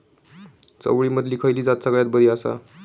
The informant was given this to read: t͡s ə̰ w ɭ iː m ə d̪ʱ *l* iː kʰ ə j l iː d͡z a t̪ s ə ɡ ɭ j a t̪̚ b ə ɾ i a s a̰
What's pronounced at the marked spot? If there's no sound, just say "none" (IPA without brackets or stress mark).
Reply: l